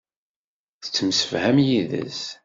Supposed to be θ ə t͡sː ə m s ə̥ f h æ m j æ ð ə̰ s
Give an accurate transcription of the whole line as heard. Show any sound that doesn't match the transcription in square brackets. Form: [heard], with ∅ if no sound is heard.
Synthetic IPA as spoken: θ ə t͡sː ə m s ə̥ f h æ m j [i] ð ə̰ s